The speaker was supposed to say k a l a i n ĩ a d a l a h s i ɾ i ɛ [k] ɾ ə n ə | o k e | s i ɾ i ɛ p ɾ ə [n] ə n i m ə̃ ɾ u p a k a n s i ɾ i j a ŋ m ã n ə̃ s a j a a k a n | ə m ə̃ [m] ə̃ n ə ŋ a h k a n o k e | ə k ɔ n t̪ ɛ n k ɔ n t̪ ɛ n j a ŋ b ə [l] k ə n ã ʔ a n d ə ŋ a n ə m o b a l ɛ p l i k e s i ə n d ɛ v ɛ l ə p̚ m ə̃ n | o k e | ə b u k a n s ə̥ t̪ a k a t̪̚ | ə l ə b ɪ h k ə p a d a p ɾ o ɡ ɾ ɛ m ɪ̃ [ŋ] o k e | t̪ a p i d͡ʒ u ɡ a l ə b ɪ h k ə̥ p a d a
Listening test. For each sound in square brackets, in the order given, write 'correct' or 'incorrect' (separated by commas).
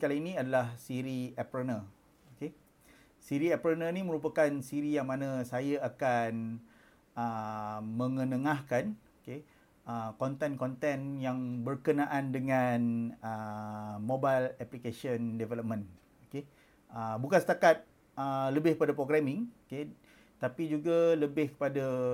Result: incorrect, correct, incorrect, incorrect, correct